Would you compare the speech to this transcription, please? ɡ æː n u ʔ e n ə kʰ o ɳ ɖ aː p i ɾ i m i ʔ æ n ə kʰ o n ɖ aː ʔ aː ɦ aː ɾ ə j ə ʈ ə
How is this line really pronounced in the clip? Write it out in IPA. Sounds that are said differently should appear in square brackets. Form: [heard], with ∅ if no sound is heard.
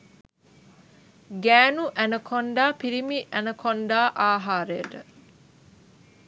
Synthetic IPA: ɡ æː n u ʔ [æ] n ə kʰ o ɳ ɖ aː p i ɾ i m i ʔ æ n ə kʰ o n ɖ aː ʔ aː ɦ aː ɾ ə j ə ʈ ə